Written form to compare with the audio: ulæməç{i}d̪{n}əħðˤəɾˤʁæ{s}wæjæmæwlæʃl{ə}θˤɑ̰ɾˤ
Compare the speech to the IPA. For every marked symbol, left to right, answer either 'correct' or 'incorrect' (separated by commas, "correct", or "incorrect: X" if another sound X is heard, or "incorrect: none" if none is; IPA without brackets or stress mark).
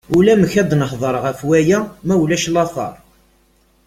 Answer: incorrect: æ, correct, incorrect: f, incorrect: ɑ